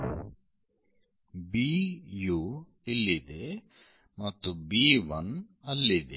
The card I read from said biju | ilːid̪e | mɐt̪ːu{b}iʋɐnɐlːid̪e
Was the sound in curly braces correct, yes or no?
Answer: yes